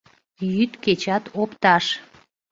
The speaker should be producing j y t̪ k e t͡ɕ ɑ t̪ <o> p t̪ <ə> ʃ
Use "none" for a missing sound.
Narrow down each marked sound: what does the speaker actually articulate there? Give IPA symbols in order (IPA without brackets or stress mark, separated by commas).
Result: o, ɑ